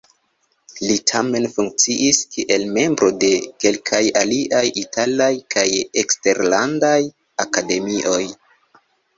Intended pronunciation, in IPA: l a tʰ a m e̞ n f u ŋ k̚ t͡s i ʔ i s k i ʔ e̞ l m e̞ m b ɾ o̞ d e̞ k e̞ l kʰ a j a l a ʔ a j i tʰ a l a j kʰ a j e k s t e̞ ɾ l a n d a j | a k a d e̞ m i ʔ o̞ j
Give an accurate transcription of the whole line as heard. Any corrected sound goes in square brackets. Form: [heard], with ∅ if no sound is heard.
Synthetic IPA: l [i] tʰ a m e̞ n f u ŋ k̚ t͡s i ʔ i s k i ʔ e̞ l m e̞ m b ɾ o̞ d e̞ k e̞ l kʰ a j a l [i] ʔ a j i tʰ a l a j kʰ a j e k s t e̞ ɾ l a n d a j | a k a d e̞ m i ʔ o̞ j

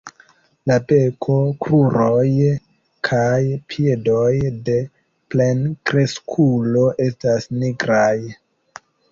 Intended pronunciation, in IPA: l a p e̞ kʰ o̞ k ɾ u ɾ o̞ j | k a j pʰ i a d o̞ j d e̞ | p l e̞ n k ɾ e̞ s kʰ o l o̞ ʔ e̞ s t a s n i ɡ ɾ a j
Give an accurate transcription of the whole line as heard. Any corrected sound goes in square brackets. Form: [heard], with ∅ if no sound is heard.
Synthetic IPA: l a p e̞ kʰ o̞ k ɾ u ɾ o̞ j | [kʰ] a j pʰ i [e] d o̞ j d e̞ | p l e̞ n k ɾ e̞ s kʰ [u] l o̞ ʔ e̞ s t a s n i ɡ ɾ a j

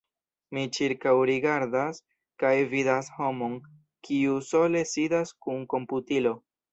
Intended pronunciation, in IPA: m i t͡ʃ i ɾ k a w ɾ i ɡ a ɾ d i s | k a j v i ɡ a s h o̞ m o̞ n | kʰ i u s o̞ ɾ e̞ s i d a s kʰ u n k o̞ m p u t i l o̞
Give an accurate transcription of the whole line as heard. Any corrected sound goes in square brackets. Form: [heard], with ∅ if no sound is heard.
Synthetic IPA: m i t͡ʃ i ɾ k a w ɾ i ɡ a ɾ d [a] s | k a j v i [d] a s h o̞ m o̞ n | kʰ i u s o̞ [l] e̞ s i d a s [k] u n k o̞ m p u t i l o̞

